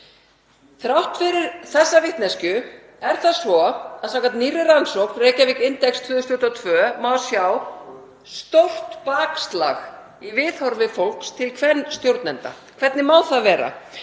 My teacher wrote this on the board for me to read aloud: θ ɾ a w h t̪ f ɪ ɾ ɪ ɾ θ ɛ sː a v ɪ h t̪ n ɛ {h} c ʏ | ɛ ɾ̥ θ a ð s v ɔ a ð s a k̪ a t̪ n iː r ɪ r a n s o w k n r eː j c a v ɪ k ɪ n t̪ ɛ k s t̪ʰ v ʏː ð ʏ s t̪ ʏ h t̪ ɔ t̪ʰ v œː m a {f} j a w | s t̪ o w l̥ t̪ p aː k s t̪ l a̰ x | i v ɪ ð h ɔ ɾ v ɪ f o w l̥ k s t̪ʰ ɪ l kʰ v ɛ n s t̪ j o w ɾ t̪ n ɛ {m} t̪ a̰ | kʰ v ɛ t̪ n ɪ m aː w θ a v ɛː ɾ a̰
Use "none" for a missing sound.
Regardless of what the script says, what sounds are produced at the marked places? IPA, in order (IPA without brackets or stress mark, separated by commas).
s, s, n